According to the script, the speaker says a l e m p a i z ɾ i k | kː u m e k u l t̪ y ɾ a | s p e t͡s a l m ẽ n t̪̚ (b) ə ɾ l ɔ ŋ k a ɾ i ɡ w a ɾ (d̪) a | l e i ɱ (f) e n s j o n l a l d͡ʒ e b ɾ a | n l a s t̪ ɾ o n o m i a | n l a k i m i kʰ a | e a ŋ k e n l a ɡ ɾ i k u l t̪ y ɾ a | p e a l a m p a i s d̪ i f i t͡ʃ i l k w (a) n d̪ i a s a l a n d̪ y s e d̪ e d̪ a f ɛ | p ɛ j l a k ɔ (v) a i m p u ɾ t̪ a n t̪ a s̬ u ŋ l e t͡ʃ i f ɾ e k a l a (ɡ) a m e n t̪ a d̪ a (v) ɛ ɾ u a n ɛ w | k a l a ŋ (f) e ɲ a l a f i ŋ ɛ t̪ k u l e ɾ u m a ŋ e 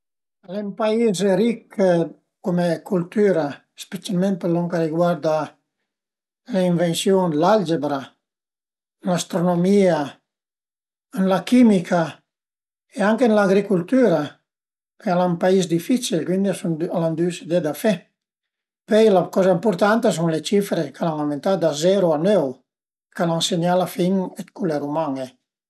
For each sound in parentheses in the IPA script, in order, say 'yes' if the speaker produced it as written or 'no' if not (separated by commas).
no, yes, no, no, no, no, no, no